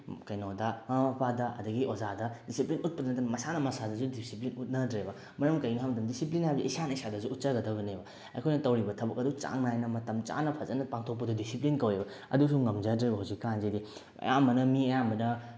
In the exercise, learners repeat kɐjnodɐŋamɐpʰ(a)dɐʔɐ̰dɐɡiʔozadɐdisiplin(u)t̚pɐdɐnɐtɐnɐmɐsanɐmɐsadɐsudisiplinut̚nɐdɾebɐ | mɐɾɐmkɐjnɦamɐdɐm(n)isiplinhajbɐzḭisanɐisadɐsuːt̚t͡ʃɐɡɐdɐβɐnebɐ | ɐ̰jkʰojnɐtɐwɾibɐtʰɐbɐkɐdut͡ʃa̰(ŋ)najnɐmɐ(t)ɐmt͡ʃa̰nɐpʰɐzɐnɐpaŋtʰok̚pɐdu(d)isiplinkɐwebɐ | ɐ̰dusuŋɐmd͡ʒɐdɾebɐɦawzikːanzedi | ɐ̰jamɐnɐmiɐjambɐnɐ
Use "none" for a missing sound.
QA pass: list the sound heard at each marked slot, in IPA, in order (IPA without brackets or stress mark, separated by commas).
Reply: a, u, d, ŋ, t, d